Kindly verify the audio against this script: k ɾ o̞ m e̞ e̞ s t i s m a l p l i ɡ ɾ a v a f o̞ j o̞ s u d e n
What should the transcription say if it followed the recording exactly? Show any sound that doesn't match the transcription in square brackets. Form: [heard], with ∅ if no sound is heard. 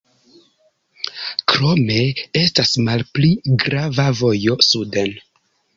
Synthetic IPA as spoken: k ɾ o̞ m e̞ e̞ s t [a] s m a l p l i ɡ ɾ a v a [v] o̞ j o̞ s u d e n